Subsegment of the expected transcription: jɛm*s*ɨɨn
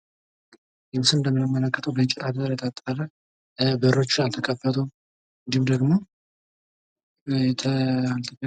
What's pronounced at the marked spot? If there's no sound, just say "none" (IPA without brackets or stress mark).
s